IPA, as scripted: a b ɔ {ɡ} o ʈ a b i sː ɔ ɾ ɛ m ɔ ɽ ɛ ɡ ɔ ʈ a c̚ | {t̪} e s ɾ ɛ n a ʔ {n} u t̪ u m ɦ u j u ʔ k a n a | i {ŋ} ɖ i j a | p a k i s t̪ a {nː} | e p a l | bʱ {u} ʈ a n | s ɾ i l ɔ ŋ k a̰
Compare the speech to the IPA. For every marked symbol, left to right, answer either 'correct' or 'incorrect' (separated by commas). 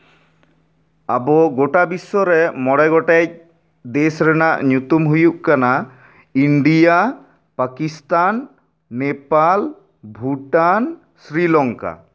correct, incorrect, incorrect, incorrect, correct, correct